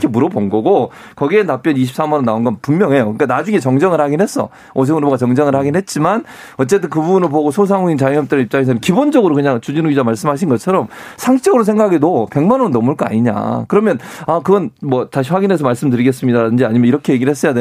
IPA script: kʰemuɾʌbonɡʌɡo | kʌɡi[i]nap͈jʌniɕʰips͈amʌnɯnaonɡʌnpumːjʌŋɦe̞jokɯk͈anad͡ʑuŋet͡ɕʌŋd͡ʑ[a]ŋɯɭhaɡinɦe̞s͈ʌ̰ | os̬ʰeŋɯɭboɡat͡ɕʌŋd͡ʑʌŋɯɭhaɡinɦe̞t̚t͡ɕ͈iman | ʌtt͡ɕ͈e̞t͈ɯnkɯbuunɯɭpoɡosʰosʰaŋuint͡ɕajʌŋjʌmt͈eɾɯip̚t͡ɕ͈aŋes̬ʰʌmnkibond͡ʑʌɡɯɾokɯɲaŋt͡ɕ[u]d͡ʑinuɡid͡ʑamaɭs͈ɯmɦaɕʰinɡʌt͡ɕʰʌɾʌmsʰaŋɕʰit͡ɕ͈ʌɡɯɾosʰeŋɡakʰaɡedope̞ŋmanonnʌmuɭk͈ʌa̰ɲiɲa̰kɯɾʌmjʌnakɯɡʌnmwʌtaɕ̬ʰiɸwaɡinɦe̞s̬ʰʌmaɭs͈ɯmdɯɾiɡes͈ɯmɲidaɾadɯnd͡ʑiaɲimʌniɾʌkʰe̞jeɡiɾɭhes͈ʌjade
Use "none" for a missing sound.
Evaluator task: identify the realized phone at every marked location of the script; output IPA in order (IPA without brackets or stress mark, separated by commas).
e, ʌ, u